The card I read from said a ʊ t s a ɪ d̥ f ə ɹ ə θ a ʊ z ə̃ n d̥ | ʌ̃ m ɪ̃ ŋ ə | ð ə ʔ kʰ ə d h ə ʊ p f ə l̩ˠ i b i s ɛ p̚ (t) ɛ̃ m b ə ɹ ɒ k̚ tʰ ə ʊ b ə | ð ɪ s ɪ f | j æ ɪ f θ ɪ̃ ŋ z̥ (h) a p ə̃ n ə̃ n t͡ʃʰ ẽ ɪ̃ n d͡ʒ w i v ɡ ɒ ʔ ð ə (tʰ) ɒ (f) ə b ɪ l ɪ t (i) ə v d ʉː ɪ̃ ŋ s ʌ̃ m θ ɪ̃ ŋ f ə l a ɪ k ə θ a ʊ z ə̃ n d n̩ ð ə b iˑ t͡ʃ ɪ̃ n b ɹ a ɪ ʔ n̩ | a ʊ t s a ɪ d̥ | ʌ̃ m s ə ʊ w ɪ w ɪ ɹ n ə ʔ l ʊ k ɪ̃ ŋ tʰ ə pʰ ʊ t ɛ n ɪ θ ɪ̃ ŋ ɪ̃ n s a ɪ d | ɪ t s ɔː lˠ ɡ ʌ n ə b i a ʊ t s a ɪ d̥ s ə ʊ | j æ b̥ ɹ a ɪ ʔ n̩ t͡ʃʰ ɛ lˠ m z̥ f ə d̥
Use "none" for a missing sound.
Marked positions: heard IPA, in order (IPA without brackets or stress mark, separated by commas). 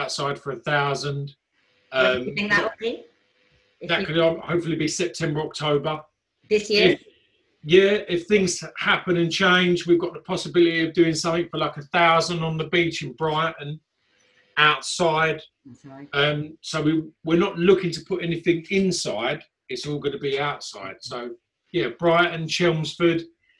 tʰ, h, pʰ, s, i